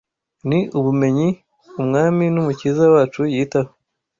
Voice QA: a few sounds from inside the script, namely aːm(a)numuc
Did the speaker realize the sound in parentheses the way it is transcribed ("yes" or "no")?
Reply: no